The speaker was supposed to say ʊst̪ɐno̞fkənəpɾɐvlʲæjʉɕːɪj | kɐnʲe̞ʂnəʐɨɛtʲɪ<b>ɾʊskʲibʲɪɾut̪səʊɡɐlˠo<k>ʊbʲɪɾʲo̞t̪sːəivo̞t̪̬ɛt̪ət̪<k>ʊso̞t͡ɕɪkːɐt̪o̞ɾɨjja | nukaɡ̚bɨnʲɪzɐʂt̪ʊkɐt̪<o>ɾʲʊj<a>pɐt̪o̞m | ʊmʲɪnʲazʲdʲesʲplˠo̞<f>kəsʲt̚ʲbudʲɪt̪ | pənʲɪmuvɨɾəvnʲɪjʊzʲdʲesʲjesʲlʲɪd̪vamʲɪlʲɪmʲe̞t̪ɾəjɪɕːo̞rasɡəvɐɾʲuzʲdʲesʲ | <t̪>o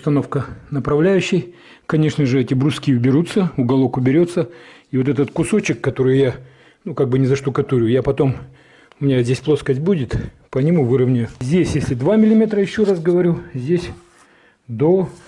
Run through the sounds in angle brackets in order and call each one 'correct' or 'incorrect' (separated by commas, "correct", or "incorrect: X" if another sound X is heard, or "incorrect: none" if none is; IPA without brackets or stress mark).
correct, correct, correct, incorrect: u, correct, incorrect: s, incorrect: d̪